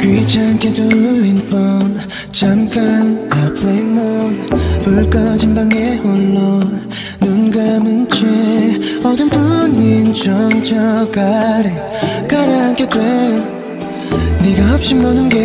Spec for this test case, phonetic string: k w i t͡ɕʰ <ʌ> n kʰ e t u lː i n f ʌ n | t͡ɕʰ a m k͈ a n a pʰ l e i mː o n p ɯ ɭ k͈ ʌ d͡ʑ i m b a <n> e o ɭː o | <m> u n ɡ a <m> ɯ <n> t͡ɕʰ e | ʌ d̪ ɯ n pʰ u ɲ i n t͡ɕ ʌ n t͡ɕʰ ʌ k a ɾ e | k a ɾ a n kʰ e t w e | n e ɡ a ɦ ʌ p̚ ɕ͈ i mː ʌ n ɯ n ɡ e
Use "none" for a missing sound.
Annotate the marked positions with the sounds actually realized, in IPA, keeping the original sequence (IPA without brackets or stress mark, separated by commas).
a, ŋ, n, m, n